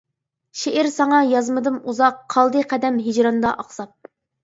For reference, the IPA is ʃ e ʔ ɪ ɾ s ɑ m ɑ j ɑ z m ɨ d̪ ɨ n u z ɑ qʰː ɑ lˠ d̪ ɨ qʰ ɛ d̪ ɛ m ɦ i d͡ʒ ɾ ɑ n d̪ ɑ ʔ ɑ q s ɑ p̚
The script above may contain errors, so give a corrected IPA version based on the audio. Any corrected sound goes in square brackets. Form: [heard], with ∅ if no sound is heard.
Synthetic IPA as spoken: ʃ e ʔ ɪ ɾ s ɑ [ŋ] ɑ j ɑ z m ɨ d̪ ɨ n u z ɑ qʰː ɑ lˠ d̪ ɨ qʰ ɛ d̪ ɛ m ɦ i d͡ʒ ɾ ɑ n d̪ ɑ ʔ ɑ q s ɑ p̚